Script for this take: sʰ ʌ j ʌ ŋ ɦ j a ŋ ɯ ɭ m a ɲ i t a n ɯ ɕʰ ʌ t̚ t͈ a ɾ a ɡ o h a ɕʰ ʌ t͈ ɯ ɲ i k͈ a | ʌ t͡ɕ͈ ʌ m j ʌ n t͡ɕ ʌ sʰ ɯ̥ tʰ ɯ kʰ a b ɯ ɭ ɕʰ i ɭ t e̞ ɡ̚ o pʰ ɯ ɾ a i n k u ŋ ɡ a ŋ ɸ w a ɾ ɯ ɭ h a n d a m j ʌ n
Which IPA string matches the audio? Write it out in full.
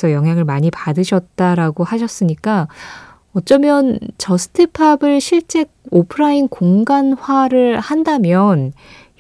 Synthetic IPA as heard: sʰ ʌ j ʌ ŋ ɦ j a ŋ ɯ ɭ m a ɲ i p a d ɯ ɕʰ ʌ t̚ t͈ a ɾ a ɡ o h a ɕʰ ʌ s͈ ɯ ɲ i k͈ a | ʌ t͡ɕ͈ ʌ m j ʌ n t͡ɕ ʌ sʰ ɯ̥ tʰ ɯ pʰ a b ɯ ɭ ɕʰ i ɭ t͡ɕ͈ e̞ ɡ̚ o pʰ ɯ ɾ a i n k o ŋ ɡ a n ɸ w a ɾ ɯ ɭ h a n d a m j ʌ n